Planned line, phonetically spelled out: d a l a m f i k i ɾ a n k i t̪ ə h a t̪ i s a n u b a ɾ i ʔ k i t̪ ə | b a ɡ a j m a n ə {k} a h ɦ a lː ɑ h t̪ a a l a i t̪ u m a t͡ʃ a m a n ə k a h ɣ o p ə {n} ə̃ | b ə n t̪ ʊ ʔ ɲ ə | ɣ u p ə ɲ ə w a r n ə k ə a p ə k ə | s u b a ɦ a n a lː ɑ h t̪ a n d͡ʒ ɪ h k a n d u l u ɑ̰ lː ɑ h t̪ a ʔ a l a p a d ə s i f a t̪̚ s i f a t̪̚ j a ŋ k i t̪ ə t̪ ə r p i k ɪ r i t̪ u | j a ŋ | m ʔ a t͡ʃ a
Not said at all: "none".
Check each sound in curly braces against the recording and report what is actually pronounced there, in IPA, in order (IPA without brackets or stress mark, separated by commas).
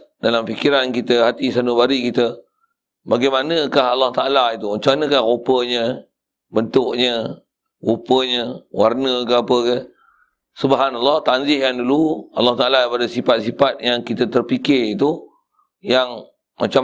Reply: k, ɲ